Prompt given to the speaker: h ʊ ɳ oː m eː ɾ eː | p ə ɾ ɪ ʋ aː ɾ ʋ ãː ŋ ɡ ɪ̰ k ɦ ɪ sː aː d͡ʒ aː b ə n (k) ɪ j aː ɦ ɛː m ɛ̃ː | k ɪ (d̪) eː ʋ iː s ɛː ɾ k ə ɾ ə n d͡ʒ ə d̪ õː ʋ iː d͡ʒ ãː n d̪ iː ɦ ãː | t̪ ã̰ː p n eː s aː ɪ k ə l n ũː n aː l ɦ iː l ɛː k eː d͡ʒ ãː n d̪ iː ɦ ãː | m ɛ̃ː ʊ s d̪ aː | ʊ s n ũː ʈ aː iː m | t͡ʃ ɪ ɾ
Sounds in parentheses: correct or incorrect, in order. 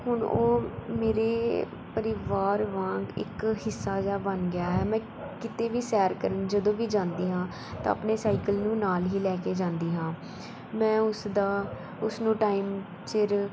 incorrect, incorrect

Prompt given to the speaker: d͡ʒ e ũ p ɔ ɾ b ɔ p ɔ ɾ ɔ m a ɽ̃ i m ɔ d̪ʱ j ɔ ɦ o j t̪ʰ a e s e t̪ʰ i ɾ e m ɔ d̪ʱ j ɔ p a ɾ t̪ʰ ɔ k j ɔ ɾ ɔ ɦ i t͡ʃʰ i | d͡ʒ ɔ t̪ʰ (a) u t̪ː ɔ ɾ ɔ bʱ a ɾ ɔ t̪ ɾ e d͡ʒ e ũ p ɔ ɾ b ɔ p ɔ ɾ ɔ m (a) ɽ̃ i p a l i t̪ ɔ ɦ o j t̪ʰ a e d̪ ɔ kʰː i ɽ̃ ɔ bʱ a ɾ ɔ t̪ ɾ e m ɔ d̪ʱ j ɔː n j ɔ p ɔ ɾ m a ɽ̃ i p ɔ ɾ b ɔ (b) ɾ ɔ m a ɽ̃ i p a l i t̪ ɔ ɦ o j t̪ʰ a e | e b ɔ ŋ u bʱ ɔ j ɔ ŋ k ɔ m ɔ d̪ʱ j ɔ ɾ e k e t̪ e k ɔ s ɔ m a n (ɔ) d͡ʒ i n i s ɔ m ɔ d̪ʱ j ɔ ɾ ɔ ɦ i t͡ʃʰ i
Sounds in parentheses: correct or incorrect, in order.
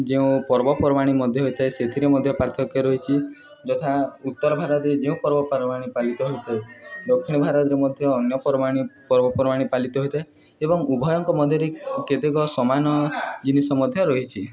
correct, correct, incorrect, correct

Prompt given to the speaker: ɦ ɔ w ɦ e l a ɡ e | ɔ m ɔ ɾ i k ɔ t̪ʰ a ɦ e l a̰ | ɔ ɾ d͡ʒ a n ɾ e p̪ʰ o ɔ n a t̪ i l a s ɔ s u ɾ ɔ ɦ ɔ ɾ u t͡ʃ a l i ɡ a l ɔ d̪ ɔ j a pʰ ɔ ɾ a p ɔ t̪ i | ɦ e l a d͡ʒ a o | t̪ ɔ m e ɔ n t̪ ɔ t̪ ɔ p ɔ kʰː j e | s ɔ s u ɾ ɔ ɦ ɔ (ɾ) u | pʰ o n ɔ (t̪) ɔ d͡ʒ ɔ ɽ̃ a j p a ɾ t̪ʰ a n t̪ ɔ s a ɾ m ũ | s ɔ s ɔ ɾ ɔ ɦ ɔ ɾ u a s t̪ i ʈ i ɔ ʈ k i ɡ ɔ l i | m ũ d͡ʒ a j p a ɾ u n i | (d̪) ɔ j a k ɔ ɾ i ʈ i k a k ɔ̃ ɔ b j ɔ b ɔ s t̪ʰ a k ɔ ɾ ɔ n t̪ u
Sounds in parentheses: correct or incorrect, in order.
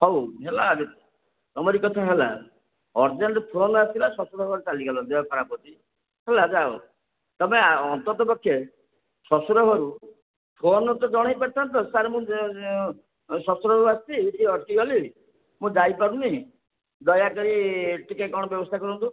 correct, correct, correct

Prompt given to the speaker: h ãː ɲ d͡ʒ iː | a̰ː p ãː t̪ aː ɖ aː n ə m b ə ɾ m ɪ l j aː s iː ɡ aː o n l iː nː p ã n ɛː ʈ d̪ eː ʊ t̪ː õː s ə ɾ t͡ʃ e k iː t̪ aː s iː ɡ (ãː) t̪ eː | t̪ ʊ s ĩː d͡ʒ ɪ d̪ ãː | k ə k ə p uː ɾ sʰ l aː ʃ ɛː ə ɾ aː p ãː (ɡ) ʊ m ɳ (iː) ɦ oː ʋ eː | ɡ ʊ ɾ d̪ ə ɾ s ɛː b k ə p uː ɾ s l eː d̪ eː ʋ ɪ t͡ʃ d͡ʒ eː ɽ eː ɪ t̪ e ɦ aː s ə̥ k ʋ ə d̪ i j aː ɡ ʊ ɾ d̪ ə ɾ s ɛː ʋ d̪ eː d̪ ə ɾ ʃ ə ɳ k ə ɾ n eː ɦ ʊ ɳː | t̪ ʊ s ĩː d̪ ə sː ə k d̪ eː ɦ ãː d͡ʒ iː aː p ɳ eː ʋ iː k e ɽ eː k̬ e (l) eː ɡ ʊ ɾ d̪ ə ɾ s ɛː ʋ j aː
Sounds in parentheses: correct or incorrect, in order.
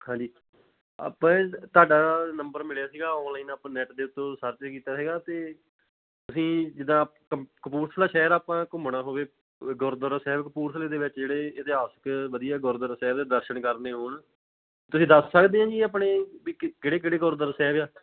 incorrect, incorrect, incorrect, incorrect

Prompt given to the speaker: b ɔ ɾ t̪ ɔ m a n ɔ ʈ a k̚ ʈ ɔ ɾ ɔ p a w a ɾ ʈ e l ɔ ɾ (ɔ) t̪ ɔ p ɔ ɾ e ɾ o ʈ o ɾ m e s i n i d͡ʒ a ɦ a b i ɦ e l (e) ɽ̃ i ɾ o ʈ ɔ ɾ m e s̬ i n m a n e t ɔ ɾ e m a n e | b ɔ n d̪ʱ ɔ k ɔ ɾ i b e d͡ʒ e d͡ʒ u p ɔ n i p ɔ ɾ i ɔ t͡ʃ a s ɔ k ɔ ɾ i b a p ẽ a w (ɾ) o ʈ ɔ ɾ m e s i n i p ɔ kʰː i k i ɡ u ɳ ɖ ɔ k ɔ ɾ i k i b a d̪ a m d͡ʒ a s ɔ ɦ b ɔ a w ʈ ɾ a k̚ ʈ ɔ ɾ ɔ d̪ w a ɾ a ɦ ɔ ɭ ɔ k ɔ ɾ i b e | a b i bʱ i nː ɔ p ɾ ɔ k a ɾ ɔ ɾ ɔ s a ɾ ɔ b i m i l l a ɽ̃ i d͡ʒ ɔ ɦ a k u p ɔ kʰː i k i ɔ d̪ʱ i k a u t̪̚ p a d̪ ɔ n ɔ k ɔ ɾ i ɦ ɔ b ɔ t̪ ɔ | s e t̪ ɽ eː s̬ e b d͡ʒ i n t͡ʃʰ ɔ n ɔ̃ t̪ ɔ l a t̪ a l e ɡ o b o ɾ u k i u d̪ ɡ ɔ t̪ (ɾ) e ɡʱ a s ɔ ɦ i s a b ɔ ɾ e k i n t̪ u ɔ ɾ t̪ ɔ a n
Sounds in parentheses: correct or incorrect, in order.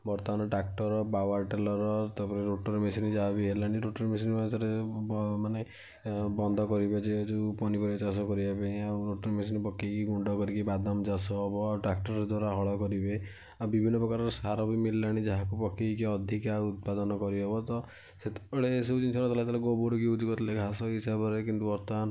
correct, incorrect, correct, incorrect

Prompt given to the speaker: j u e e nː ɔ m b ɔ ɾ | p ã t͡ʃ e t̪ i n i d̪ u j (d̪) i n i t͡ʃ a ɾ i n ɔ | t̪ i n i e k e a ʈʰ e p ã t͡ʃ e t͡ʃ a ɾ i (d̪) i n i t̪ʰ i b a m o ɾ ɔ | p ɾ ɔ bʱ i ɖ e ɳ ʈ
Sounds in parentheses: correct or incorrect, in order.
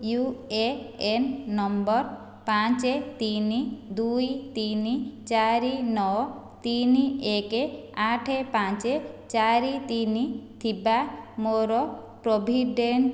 incorrect, incorrect

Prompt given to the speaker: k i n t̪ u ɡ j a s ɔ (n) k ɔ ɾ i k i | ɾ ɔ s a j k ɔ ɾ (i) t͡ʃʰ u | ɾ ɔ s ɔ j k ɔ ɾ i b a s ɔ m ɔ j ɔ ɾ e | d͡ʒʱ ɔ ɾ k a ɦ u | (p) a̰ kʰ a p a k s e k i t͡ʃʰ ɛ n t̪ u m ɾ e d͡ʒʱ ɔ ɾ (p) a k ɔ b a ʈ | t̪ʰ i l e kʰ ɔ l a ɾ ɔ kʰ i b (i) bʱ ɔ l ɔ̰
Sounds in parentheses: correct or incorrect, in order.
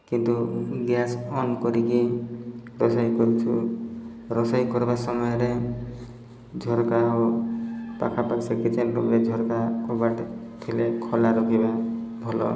correct, correct, correct, incorrect, incorrect

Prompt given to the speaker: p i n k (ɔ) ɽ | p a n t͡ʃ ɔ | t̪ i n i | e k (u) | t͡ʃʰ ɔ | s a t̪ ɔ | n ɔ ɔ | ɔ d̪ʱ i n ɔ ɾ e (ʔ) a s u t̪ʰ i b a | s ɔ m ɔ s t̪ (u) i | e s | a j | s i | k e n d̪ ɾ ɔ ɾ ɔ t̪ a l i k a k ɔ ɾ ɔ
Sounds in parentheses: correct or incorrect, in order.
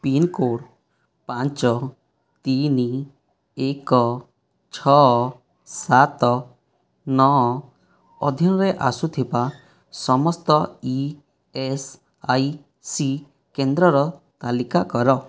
incorrect, incorrect, correct, incorrect

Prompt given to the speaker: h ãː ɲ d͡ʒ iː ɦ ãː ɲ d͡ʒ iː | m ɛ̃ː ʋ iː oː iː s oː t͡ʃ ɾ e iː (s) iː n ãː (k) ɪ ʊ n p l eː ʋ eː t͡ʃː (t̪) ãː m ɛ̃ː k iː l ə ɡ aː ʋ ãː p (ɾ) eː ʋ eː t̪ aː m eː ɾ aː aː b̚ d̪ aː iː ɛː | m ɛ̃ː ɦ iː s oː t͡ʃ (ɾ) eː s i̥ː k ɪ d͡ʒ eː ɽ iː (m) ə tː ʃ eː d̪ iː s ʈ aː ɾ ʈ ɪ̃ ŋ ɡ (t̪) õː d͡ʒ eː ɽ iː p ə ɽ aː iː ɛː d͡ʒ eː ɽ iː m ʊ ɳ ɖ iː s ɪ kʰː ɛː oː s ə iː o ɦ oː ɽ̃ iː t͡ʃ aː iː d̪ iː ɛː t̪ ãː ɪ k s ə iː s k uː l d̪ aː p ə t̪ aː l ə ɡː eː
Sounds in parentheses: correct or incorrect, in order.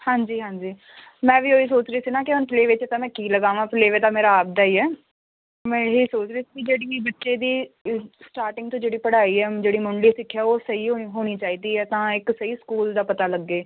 correct, correct, correct, incorrect, correct, incorrect, correct

